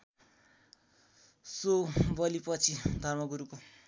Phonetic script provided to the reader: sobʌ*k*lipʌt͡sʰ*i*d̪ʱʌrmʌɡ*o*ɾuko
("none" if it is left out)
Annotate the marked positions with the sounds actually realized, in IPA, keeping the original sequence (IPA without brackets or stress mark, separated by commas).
none, i, u